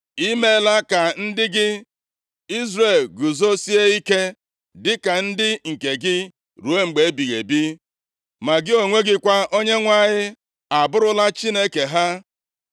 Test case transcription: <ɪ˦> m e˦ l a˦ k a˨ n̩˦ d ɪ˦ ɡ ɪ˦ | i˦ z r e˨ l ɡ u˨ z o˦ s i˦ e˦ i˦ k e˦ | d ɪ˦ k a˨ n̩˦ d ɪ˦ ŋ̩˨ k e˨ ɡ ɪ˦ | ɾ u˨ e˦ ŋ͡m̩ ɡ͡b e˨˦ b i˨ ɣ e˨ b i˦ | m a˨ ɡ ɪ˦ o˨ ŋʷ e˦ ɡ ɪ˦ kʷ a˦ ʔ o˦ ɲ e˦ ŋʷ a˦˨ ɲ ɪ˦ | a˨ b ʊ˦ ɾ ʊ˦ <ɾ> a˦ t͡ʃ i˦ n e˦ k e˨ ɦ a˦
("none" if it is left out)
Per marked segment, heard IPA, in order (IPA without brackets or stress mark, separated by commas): i˦, l